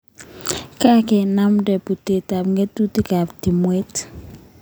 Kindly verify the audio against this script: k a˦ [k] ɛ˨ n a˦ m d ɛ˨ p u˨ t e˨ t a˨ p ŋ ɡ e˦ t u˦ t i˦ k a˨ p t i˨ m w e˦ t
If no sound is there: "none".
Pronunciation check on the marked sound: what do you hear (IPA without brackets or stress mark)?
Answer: k